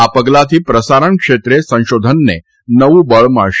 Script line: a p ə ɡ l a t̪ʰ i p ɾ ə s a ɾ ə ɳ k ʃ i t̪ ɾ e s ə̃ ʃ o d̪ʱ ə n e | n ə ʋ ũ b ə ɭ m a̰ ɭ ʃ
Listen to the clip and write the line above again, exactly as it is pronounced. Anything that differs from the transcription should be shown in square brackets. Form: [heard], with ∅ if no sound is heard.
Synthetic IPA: a p ə ɡ l a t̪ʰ i p ɾ ə s a ɾ ə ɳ k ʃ [e] t̪ ɾ e s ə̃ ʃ o d̪ʱ ə [nː] e | n ə ʋ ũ b ə ɭ m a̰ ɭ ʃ